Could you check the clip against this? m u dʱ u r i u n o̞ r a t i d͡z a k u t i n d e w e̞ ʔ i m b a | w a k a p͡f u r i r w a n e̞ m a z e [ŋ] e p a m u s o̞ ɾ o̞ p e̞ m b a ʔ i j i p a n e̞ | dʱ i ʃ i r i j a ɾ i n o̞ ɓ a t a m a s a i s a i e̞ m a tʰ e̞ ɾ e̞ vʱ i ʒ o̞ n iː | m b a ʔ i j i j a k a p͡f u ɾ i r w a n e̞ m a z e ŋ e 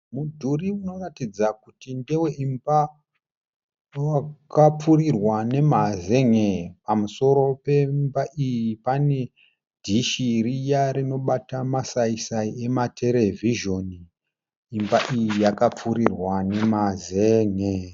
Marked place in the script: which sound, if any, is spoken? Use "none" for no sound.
ŋ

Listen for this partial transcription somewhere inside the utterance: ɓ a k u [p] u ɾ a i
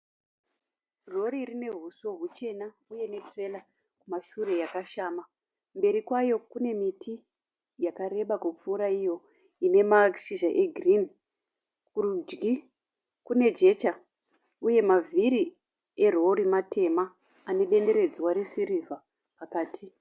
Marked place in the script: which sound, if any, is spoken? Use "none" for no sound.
p͡f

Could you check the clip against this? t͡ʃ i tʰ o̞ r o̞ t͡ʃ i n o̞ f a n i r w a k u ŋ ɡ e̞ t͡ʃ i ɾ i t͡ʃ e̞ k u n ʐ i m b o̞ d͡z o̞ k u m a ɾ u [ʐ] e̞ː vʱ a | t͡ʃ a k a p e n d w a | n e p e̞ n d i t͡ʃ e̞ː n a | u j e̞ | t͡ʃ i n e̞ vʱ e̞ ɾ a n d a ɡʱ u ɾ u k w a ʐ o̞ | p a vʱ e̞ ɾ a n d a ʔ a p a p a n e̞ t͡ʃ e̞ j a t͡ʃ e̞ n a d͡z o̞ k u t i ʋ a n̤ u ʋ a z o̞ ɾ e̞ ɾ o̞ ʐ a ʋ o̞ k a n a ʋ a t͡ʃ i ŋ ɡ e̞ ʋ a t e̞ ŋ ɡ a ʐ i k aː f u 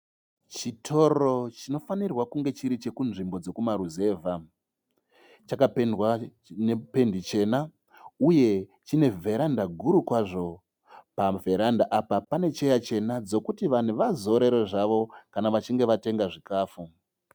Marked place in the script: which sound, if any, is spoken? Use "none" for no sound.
z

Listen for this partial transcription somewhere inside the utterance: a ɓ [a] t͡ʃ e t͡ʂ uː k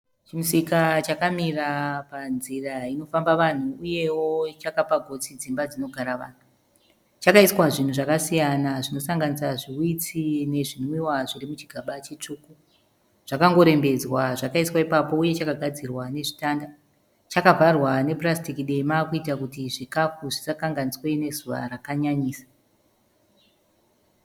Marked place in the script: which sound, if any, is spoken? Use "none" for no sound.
a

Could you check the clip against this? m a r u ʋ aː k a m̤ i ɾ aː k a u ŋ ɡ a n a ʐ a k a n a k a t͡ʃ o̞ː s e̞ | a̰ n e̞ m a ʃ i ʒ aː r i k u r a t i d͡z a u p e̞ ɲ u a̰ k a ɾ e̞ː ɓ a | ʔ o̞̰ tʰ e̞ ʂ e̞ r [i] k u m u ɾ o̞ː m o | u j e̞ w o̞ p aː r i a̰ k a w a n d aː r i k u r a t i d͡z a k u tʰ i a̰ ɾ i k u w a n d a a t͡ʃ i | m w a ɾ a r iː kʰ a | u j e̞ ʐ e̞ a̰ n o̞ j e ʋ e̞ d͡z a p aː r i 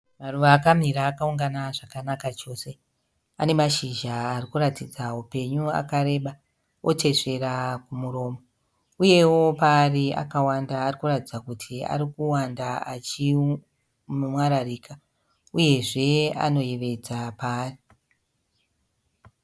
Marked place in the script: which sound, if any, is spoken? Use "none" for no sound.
a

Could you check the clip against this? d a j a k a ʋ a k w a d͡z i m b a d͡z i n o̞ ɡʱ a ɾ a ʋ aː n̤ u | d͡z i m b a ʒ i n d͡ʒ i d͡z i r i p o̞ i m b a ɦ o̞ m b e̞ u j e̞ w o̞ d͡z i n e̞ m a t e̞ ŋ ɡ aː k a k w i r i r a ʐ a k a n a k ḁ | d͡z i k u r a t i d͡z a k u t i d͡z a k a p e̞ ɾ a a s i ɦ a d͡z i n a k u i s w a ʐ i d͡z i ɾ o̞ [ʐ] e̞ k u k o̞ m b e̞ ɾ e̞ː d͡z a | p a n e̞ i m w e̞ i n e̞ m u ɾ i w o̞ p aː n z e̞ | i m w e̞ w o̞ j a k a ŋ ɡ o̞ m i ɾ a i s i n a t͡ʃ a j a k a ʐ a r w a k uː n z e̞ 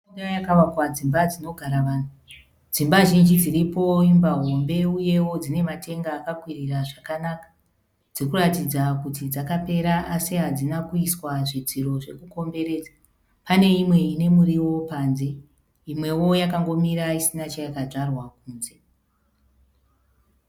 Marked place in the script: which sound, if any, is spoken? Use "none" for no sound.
ʐ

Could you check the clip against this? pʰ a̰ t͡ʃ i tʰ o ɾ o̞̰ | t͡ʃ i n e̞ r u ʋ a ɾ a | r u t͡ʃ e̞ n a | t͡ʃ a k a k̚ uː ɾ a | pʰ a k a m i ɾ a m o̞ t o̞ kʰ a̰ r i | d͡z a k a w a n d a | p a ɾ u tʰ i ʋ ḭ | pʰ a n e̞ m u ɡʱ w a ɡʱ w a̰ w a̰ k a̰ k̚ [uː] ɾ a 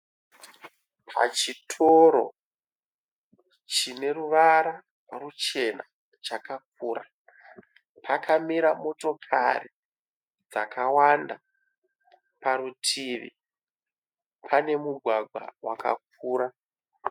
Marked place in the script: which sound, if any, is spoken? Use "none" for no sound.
uː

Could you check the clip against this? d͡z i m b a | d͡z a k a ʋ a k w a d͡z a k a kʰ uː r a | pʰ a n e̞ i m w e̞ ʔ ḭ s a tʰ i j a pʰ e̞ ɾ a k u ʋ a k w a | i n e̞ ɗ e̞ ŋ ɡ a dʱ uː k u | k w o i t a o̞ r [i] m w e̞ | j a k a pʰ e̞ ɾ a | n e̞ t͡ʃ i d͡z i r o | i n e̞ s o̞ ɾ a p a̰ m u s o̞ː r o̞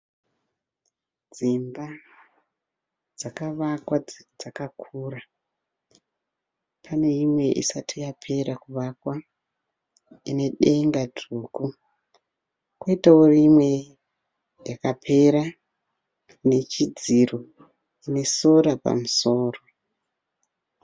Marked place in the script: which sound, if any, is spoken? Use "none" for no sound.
i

